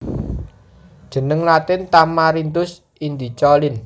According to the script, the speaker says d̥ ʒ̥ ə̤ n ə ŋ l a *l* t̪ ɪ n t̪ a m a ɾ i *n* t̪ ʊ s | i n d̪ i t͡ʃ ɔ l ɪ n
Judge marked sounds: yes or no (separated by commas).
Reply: no, yes